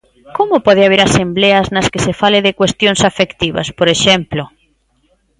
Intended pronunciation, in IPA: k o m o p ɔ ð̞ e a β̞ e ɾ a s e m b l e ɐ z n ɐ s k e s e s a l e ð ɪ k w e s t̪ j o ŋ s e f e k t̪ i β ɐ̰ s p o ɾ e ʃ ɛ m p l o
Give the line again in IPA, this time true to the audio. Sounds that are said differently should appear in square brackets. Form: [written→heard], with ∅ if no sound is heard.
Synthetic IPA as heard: k o m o p ɔ ð̞ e a β̞ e ɾ a s e m b l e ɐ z n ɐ s k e s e [s→f] a l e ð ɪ k w e s t̪ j o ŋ s [e→a] f e k t̪ i β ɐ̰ s p o ɾ e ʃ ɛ m p l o